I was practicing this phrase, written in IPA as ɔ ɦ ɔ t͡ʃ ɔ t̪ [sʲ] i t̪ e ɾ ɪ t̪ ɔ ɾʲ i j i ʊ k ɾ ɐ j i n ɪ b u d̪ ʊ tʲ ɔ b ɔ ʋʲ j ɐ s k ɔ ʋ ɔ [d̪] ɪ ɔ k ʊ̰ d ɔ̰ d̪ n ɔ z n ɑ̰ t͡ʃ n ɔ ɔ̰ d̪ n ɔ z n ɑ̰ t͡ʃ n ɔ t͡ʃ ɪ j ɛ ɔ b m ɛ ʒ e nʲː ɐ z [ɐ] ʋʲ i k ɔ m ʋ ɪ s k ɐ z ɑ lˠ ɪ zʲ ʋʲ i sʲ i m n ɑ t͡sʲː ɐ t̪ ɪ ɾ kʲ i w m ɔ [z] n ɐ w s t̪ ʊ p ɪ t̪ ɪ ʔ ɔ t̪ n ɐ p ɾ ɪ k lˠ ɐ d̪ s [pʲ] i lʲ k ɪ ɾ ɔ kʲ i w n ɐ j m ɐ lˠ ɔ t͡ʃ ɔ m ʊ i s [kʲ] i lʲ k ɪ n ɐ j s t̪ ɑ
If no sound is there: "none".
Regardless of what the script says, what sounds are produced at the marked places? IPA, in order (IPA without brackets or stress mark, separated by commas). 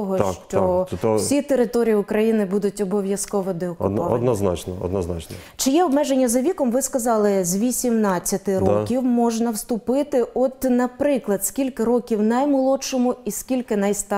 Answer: sʲ, d̪, ɐ, ʒ, kʲ, kʲ